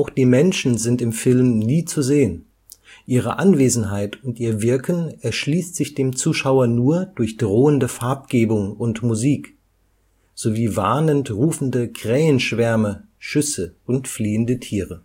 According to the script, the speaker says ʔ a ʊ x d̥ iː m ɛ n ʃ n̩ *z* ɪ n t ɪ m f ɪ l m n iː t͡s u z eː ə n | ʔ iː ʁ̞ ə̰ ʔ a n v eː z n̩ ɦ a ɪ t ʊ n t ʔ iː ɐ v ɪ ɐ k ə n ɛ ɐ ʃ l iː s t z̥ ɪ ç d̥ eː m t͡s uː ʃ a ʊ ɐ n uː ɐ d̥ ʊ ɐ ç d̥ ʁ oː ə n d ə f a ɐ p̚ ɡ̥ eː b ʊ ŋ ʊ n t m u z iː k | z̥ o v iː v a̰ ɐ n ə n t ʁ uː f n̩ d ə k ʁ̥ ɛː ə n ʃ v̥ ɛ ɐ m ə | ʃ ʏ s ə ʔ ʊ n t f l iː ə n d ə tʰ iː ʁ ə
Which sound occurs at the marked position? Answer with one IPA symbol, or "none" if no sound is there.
z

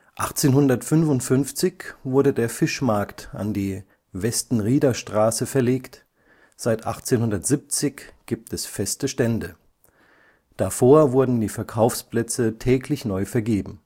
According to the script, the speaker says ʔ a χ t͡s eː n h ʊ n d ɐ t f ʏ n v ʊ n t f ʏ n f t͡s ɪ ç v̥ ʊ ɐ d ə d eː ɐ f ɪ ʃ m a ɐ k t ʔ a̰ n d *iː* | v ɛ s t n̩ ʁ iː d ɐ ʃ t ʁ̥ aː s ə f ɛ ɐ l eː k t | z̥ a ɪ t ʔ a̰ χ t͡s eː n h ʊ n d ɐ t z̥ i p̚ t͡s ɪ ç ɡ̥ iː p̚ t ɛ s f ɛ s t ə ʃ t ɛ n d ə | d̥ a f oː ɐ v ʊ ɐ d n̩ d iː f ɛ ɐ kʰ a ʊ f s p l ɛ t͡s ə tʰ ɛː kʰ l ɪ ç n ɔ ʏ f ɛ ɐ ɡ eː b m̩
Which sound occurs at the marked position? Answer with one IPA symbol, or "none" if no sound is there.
iː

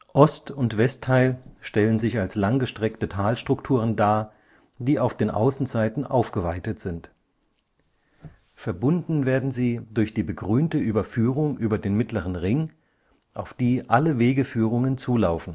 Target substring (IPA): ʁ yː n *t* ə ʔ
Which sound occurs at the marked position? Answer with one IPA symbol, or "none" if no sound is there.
t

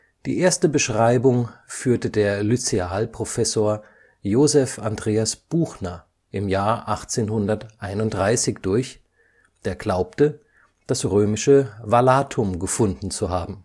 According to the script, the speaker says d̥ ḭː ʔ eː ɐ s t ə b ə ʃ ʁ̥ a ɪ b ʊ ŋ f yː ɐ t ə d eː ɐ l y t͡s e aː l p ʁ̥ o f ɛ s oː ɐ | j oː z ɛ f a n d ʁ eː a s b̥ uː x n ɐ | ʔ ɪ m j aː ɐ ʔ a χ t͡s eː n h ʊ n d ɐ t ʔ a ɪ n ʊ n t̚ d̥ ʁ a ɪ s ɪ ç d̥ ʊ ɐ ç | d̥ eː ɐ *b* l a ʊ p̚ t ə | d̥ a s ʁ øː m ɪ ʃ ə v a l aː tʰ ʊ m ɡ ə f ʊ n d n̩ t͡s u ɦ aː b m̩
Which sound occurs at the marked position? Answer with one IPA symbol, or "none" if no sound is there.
ɡ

